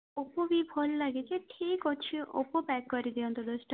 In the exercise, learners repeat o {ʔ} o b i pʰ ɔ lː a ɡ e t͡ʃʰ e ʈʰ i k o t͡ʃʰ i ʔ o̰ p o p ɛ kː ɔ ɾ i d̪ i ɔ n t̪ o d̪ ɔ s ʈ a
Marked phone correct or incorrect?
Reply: incorrect: p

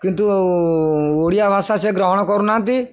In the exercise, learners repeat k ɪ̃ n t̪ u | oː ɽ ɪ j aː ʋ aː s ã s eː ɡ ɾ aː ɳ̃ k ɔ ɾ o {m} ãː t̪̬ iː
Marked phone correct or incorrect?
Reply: incorrect: n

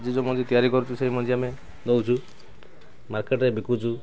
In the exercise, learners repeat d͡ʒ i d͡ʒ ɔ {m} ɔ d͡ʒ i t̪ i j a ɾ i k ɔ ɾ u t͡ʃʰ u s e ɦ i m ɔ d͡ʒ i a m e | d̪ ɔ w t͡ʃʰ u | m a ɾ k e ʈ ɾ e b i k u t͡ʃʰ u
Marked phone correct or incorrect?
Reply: correct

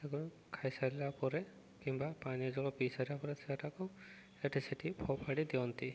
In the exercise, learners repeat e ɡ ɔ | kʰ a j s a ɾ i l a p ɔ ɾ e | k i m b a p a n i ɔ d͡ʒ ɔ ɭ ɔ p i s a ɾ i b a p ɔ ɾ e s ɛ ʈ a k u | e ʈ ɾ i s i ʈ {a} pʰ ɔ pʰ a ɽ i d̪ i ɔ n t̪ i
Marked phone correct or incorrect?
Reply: incorrect: i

